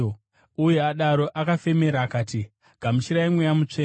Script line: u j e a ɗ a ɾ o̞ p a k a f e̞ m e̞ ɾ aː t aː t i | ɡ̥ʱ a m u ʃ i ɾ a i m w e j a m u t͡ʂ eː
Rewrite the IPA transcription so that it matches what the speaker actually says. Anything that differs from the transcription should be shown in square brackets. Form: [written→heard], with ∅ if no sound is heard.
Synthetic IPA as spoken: u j e a ɗ a ɾ o̞ [p→ʔ] a k a f e̞ m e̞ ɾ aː [t→k] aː t i | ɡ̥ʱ a m u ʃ i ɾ a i m w e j a m u t͡ʂ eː